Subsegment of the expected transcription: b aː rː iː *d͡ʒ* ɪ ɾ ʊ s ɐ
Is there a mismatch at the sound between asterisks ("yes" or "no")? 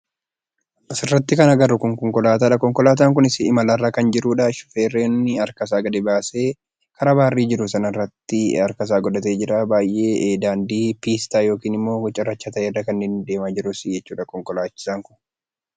no